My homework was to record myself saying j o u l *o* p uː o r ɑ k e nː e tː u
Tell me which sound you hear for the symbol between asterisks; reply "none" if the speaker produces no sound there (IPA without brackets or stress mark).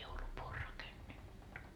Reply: u